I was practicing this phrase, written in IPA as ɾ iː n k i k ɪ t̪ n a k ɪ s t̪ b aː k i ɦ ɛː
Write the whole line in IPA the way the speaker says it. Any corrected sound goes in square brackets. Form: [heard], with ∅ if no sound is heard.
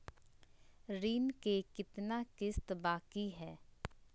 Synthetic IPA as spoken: ɾ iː n k [e] k ɪ t̪ n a k ɪ s t̪ b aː k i ɦ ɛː